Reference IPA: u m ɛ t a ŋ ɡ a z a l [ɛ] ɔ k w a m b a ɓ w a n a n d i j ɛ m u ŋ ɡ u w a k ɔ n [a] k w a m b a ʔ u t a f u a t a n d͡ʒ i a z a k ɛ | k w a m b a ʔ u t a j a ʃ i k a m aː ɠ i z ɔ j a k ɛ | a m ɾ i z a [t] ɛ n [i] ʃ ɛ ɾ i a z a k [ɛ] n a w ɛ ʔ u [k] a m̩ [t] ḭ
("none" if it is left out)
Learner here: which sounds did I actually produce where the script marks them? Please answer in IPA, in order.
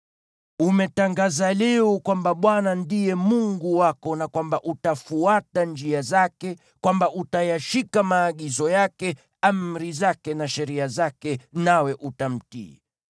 ɛ, a, k, a, ɛ, t, t

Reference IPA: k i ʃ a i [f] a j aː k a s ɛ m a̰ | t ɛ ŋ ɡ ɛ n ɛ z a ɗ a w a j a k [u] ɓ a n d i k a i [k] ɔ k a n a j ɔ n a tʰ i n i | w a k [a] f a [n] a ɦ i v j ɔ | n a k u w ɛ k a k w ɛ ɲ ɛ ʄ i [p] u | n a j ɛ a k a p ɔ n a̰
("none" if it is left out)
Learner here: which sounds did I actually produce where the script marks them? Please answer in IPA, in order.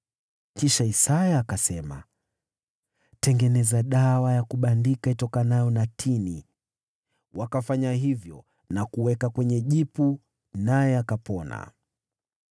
s, u, t, a, ɲ, p

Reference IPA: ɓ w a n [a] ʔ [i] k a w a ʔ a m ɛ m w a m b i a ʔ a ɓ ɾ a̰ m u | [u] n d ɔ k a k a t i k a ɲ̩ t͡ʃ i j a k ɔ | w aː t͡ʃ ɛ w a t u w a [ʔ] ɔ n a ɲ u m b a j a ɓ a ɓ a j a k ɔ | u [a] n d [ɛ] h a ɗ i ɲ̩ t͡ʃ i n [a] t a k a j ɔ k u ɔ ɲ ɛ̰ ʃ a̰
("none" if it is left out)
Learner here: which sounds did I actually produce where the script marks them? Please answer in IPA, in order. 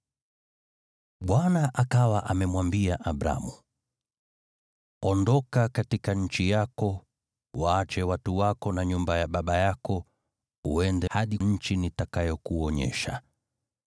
a, a, ɔ, k, ɛ, ɛ, i

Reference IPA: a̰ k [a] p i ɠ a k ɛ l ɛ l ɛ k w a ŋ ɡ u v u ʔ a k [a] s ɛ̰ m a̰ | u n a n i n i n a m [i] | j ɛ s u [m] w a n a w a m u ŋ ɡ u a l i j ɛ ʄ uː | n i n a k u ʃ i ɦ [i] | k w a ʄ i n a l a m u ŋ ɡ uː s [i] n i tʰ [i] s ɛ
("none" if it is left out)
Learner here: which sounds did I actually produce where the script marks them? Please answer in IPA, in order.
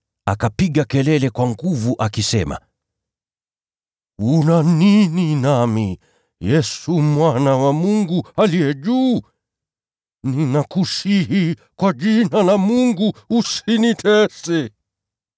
a, i, i, m, i, i, ɛ

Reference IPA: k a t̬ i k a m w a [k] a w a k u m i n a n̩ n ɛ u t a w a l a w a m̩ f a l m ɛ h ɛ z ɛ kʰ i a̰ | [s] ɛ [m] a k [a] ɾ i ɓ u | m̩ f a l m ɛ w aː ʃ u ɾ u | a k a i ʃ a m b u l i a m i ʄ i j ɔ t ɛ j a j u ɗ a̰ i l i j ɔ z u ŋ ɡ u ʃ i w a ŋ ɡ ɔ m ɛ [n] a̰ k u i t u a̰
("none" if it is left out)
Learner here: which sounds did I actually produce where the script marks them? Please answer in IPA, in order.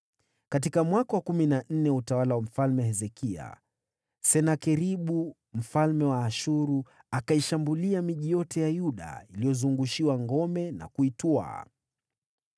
k, s, n, ɛ, n

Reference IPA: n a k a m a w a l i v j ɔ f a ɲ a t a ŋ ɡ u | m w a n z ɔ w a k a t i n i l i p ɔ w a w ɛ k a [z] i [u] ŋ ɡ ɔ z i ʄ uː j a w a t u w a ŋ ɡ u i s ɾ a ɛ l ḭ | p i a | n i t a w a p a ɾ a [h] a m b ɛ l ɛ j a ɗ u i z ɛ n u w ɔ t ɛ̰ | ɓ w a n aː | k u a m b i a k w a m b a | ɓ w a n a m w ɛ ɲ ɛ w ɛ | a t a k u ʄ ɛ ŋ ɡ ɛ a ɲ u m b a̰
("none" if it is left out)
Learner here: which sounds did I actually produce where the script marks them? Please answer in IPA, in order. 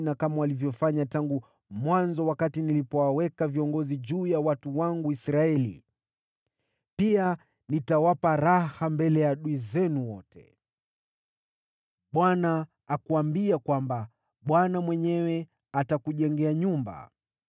v, ɔ, h

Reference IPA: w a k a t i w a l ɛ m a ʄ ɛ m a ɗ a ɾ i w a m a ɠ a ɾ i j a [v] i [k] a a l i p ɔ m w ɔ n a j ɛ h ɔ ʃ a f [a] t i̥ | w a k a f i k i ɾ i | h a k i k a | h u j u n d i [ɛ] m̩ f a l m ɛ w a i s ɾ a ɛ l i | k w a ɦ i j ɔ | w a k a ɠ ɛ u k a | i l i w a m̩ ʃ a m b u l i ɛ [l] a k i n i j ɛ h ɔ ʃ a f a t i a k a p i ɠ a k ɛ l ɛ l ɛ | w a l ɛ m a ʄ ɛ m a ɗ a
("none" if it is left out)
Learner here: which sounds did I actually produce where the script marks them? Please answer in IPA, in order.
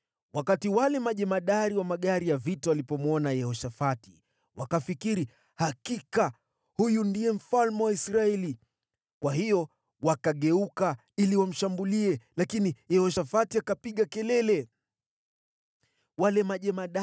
v, t, a, ɛ, l

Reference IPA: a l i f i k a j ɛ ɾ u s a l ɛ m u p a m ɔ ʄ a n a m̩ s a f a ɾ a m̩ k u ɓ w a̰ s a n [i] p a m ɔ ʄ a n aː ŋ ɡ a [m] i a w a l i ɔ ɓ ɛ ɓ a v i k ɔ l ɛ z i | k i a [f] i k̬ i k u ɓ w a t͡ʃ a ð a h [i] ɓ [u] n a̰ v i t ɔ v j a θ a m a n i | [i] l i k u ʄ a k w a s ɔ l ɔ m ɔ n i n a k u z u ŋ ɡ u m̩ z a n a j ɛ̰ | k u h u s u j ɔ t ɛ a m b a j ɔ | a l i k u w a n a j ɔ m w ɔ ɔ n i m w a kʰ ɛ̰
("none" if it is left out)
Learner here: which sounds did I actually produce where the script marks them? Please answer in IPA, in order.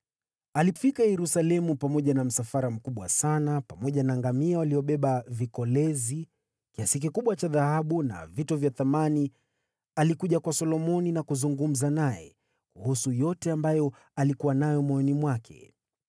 a, m, s, a, u, a

